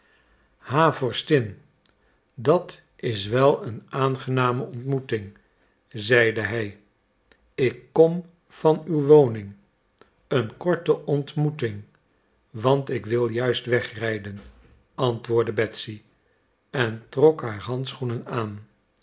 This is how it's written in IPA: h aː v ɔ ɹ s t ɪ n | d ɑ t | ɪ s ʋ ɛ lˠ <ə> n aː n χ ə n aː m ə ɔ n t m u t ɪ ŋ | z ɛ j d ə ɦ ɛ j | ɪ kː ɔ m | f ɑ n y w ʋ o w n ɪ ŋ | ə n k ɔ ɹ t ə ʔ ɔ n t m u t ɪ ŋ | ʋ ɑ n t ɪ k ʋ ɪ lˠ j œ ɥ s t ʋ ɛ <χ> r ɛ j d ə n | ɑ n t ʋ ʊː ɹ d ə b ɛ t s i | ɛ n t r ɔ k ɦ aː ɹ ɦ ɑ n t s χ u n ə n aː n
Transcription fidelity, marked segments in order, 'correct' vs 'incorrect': correct, correct

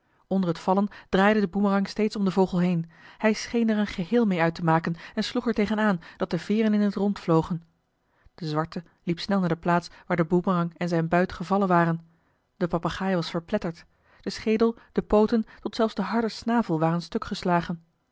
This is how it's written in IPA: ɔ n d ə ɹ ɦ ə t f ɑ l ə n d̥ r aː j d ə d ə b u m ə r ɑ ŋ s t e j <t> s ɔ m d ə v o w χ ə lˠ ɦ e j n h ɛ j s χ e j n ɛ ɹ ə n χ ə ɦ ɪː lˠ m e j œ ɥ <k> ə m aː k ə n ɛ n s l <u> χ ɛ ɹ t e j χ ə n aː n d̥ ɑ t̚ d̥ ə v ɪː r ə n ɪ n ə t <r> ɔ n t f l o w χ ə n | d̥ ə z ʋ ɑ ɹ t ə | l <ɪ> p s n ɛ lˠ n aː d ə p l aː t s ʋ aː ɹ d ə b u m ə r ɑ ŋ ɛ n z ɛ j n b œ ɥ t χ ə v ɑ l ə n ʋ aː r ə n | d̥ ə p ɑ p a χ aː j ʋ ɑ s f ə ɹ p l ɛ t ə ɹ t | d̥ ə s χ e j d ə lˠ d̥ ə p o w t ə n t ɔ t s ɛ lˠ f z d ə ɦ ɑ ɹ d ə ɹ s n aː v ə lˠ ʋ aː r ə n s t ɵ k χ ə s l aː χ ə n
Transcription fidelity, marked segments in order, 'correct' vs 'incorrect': correct, incorrect, correct, correct, incorrect

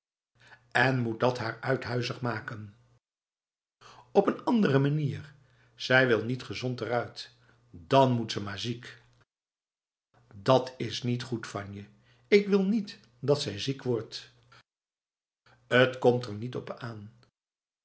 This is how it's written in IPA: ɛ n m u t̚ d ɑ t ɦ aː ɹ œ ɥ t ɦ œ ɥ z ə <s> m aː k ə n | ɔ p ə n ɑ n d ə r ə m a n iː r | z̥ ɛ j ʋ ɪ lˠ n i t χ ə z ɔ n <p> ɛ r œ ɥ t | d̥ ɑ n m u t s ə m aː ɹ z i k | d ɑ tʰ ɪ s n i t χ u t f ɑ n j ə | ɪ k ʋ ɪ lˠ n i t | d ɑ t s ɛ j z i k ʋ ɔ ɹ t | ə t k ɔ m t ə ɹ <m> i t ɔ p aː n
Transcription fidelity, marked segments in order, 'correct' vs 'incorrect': incorrect, incorrect, incorrect

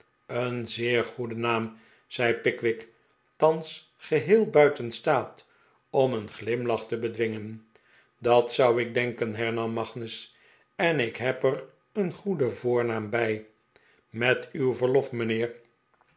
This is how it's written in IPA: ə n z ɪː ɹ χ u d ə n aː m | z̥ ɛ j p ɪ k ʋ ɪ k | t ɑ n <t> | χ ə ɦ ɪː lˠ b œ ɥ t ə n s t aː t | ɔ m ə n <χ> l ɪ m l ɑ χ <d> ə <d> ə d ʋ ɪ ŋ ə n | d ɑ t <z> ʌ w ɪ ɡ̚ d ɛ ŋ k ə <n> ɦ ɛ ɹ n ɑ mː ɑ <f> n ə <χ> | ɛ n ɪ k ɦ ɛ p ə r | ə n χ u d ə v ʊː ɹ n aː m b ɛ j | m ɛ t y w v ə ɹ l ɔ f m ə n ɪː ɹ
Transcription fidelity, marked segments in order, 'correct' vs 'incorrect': incorrect, correct, incorrect, incorrect, incorrect, correct, incorrect, incorrect

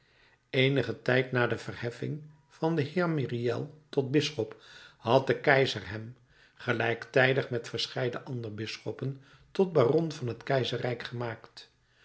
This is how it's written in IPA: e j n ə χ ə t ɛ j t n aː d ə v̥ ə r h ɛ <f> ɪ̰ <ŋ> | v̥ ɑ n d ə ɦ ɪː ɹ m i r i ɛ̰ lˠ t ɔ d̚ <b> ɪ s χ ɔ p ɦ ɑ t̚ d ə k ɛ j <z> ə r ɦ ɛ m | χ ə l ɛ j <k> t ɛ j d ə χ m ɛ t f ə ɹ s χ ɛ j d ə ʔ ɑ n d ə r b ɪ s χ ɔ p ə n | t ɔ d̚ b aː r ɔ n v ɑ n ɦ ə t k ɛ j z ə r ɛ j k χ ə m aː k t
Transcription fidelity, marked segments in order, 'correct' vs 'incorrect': correct, correct, correct, correct, correct

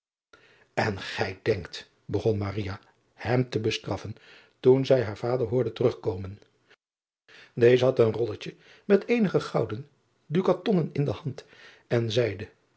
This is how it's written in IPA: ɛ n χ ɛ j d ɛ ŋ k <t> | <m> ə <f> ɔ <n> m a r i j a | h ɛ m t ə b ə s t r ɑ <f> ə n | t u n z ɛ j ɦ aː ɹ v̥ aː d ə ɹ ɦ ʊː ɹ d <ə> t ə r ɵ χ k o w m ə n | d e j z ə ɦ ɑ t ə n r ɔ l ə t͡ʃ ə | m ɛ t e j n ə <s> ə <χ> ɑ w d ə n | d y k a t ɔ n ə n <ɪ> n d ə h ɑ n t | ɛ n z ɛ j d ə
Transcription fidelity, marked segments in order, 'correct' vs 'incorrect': correct, incorrect, incorrect, correct, correct, correct, incorrect, correct, correct

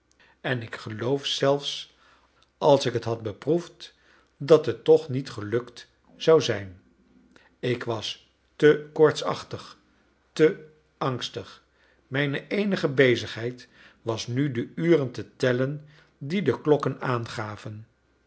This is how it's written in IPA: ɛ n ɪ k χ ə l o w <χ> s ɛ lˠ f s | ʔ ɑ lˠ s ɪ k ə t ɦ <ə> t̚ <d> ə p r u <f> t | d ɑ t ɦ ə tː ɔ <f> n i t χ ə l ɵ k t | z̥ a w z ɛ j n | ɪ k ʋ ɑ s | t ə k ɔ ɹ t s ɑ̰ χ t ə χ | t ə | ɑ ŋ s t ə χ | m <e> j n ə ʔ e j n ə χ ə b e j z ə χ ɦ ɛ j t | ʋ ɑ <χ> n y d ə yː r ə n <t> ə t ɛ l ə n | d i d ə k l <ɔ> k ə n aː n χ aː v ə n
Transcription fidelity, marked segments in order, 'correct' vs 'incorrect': incorrect, incorrect, incorrect, correct, incorrect, incorrect, incorrect, correct, correct

